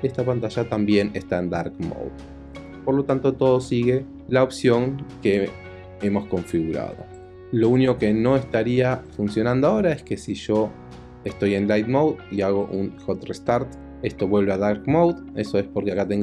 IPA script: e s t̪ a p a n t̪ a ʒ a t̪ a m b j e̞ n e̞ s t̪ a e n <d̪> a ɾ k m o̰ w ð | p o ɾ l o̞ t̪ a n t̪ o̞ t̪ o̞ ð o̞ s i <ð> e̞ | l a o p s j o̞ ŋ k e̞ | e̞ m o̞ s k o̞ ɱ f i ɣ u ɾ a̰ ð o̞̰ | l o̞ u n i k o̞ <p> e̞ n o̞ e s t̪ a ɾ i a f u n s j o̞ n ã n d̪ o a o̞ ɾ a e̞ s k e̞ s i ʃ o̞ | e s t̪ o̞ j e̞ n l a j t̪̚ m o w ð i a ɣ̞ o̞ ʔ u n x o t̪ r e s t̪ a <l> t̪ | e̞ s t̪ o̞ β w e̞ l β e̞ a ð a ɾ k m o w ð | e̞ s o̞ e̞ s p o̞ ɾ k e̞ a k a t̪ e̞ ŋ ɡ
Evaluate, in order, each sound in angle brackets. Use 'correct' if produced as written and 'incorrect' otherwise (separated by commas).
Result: correct, incorrect, incorrect, incorrect